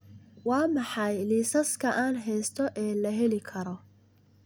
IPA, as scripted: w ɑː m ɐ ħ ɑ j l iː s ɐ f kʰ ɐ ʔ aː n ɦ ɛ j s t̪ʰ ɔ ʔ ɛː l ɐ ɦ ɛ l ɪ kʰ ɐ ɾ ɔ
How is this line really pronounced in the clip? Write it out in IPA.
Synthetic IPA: w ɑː m ɑ ħ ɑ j l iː s ɐ s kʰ ɐ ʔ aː n ɦ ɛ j s t̪ʰ ɔ ʔ ɛː l ɐ ɦ ɛ l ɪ kʰ ɐ ɾ ɔ